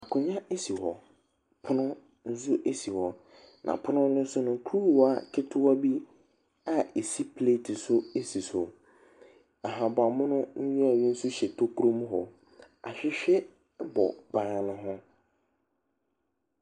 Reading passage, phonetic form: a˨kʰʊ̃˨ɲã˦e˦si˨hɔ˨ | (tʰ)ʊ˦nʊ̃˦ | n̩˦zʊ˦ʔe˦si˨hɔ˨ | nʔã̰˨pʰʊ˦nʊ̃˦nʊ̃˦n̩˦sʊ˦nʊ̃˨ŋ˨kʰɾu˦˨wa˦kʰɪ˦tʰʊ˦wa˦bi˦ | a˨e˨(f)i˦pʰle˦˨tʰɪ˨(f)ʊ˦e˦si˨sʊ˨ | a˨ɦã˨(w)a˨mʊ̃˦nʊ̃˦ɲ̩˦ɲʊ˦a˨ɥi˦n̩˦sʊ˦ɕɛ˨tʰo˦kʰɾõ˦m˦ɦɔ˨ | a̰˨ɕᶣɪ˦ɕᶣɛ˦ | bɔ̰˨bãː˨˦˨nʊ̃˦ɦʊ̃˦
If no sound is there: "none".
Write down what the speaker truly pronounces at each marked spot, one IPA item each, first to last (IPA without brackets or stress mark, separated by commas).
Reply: pʰ, s, s, b